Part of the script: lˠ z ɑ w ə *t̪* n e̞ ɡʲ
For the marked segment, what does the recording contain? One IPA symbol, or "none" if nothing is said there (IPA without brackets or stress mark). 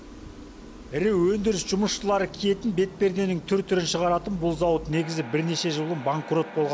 t̪